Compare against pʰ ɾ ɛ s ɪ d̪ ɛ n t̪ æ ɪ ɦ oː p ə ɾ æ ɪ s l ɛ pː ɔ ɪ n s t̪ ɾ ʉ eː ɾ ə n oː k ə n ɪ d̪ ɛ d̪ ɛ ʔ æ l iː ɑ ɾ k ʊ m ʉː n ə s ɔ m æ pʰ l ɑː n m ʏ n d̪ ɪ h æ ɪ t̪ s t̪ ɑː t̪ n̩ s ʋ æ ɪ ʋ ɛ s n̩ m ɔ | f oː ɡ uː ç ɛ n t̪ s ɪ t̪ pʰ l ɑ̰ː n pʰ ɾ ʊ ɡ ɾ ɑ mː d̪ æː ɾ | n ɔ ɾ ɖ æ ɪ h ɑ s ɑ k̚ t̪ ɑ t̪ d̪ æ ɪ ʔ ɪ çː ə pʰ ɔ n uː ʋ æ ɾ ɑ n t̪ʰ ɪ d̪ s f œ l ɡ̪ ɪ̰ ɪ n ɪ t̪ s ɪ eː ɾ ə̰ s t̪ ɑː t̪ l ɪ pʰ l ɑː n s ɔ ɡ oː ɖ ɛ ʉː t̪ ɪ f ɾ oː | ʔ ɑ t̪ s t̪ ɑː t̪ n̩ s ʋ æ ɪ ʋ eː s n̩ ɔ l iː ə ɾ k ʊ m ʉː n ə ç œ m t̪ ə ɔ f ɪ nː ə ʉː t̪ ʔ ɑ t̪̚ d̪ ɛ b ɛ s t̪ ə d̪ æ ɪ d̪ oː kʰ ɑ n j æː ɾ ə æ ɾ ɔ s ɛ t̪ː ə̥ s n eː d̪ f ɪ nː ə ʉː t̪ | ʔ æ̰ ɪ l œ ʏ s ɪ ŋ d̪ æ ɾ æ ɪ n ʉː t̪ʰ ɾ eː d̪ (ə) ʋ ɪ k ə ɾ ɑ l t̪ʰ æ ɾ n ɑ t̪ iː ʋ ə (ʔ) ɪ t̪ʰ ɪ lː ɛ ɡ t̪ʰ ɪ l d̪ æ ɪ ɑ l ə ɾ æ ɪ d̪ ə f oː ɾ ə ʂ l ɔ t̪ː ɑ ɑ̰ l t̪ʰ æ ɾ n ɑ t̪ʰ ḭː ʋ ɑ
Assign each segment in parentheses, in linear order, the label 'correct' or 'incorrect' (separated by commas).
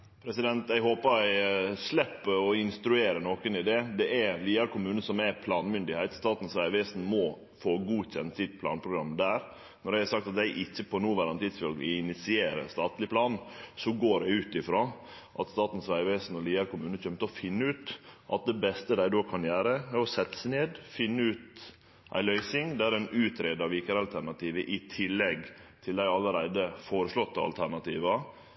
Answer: incorrect, correct